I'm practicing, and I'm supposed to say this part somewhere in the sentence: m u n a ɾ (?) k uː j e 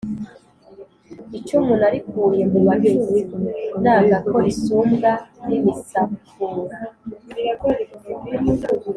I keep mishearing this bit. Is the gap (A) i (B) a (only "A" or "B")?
A